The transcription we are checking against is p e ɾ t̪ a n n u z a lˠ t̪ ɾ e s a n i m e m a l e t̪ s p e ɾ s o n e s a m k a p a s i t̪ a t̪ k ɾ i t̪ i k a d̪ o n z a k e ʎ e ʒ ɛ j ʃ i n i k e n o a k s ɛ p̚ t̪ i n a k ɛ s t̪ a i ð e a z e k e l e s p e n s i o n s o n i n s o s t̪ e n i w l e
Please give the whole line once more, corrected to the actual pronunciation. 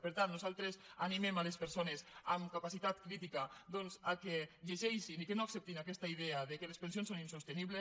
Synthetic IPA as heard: p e ɾ t̪ a n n u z a lˠ t̪ ɾ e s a n i m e m a l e s p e ɾ s o n e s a m k a p a s i t̪ a t̪ k ɾ i t̪ i k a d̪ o n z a k e ʎ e ʒ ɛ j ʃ i n i k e n o a k s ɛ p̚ t̪ i n a k ɛ s t̪ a i ð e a ð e k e l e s p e n s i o n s o n i n s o s t̪ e n i β l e